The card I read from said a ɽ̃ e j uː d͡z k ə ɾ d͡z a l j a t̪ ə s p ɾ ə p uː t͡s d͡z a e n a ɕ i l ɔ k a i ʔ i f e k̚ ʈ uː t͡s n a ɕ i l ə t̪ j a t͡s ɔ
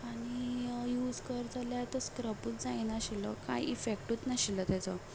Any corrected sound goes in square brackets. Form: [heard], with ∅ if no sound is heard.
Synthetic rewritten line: a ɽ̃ [i] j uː d͡z k ə ɾ d͡z a l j a t̪ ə s [k] ɾ ə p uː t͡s d͡z a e n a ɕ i l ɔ k a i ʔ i f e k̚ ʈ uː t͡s n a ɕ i l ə t̪ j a t͡s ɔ

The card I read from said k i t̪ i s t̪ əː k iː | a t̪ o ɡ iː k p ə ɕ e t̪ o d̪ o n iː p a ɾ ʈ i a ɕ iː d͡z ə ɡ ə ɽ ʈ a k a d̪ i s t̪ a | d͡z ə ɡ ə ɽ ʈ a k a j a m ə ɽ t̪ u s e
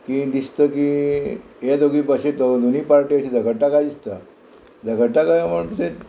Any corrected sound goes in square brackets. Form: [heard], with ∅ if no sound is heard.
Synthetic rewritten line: k i [d̪] i s t̪ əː k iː | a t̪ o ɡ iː [∅] p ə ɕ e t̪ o d̪ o n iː p a ɾ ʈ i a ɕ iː d͡z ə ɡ ə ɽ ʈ a k a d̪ i s t̪ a | d͡z ə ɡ ə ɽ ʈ a k a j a m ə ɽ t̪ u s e

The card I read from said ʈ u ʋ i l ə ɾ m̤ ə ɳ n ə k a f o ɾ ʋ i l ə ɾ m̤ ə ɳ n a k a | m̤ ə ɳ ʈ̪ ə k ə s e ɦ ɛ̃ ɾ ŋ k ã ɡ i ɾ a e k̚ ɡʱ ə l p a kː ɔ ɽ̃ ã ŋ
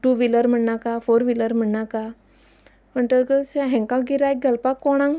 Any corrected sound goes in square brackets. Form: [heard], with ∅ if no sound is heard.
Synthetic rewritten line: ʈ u ʋ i l ə ɾ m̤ ə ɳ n [a] k a f o ɾ ʋ i l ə ɾ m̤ ə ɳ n a k a | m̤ ə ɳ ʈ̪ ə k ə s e ɦ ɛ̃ [∅] ŋ k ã ɡ i ɾ a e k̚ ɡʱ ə l p a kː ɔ ɽ̃ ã ŋ

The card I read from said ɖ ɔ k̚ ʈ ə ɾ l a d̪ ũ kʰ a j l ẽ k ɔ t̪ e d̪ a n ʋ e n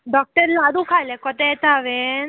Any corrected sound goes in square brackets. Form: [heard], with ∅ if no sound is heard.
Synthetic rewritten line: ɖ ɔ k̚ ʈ ə ɾ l a d̪ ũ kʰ a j l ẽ k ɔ t̪ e [t̪] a [∅] ʋ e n

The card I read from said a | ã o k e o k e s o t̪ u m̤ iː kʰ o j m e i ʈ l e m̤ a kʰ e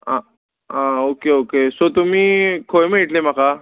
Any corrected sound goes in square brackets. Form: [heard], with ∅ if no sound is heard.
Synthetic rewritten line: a | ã o k e o k e s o t̪ u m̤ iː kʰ o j m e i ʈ l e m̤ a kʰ [a]

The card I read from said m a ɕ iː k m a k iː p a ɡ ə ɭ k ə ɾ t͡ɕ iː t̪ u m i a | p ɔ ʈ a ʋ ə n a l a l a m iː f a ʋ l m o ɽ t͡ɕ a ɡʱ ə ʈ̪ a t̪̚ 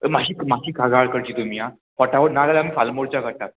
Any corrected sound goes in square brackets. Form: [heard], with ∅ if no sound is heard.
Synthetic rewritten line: m a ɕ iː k m a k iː [k] a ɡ [a] ɭ k ə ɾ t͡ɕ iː t̪ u m i a | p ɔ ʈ a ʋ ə n a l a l a m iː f a [∅] l m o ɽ t͡ɕ a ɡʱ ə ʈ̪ a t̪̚

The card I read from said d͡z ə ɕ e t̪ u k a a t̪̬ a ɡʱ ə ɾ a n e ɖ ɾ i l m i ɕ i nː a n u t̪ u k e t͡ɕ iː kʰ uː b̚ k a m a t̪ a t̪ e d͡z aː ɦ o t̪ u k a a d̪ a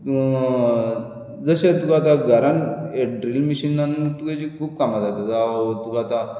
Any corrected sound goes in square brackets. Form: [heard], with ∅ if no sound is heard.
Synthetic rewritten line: d͡z ə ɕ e t̪ u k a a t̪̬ a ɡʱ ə ɾ a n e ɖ ɾ i l m i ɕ i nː a n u t̪ u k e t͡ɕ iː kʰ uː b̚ k a m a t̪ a t̪ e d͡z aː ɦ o t̪ u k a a [t̪] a

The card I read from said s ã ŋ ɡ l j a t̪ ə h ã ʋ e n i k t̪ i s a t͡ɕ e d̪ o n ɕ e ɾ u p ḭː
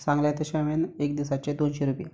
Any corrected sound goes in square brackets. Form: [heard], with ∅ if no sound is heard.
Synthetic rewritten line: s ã ŋ ɡ l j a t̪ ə [ɕ] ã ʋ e n [e] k [d̪] i s a t͡ɕ e d̪ o n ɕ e ɾ u p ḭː

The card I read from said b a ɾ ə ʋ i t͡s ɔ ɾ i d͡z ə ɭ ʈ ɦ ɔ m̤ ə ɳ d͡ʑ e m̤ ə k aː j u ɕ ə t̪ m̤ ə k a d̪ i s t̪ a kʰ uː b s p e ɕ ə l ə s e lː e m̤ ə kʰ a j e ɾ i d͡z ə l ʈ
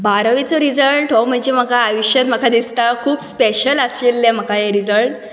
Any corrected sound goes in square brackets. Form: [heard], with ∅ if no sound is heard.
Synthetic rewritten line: b a ɾ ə ʋ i t͡s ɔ ɾ i d͡z ə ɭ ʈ ɦ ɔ m̤ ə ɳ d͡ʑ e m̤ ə k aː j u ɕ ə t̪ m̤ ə k a d̪ i s t̪ a kʰ uː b s p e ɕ ə l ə s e lː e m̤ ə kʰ a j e ɾ i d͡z ə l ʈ

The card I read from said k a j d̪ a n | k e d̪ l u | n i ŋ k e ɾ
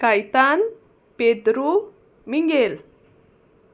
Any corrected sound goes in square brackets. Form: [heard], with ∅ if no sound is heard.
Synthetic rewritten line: k a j [t̪] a n | [p] e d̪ [ɾ] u | [m] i ŋ [ɡ] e [l]

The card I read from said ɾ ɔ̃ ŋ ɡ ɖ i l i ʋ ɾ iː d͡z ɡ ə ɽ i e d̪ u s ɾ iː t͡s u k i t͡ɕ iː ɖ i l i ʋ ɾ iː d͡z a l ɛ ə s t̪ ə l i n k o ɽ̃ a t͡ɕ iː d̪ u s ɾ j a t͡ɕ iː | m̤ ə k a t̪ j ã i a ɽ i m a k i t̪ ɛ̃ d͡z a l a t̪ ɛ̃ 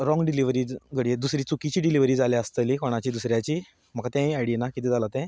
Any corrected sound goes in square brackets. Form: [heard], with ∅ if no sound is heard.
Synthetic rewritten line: ɾ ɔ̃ ŋ ɡ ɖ i l i ʋ ɾ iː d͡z ɡ ə ɽ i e d̪ u s ɾ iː t͡s u k i t͡ɕ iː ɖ i l i ʋ ɾ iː d͡z a l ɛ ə s t̪ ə l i [∅] k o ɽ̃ a t͡ɕ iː d̪ u s ɾ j a t͡ɕ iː | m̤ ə k a t̪ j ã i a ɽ i [n] a k i t̪ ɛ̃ d͡z a l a t̪ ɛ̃

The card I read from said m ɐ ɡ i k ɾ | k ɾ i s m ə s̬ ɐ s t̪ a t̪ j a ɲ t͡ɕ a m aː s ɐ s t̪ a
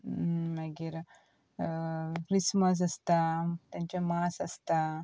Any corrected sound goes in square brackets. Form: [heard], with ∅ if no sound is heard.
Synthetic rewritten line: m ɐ ɡ i [∅] ɾ | k ɾ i s m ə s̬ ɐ s t̪ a t̪ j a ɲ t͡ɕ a m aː s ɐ s t̪ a

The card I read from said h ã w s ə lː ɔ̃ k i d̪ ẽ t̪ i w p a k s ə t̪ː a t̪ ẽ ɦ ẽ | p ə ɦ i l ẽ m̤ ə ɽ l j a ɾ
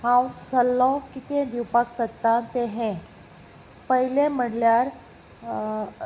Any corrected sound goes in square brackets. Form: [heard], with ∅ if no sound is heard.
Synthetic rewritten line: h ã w s ə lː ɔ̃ k i [t̪] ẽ [d̪] i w p a k s ə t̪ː a t̪ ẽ ɦ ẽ | p ə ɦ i l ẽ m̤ ə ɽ l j a ɾ

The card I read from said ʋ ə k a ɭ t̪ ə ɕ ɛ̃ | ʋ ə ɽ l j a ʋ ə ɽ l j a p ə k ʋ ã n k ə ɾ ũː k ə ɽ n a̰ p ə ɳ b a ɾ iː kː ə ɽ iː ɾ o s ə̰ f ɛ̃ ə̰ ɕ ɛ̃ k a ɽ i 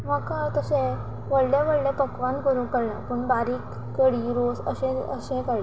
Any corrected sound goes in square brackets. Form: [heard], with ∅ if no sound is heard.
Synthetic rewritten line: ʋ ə k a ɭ t̪ ə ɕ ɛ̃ | ʋ ə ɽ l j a ʋ ə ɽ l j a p ə k ʋ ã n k ə ɾ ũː k ə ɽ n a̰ p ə ɳ b a ɾ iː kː ə ɽ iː ɾ o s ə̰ [ɕ] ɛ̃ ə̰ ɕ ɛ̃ k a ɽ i

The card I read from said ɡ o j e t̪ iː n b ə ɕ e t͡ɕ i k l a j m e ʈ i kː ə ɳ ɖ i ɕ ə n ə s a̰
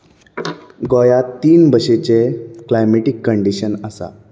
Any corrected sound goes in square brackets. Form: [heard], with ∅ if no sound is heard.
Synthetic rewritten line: ɡ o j [a] t̪ iː n b ə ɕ e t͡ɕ [e] k l a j m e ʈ i kː ə ɳ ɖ i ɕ ə n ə s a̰

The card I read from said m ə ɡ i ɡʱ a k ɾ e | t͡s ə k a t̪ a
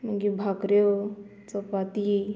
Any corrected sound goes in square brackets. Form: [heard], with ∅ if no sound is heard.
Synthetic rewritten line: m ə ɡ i [bʱ] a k ɾ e | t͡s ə [p] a t̪ [i]

